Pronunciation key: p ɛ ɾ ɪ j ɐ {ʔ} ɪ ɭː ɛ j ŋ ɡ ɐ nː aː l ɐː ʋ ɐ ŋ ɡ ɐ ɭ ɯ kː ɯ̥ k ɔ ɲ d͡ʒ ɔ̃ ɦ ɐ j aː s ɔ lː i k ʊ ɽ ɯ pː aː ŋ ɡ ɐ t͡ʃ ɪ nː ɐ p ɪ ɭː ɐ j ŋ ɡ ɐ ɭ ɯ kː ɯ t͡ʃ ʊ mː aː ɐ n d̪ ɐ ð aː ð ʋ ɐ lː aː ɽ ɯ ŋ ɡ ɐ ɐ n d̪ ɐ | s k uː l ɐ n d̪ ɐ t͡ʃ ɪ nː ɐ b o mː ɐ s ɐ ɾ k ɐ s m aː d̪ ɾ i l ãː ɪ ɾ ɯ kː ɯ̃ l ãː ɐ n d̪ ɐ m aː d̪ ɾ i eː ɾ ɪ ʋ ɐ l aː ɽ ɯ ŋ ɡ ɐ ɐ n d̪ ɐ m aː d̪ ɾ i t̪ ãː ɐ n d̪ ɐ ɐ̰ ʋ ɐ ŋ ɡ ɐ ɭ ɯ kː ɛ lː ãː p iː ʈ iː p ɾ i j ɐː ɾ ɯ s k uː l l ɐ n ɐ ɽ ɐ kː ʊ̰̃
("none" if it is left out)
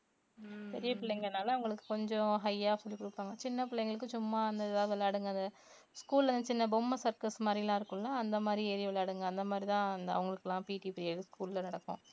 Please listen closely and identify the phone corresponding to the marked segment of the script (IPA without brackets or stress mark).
p